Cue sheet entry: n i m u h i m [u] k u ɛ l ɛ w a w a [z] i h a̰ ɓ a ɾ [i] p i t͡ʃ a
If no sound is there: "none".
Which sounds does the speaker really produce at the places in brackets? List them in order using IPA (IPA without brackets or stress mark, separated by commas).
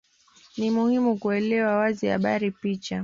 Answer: u, z, i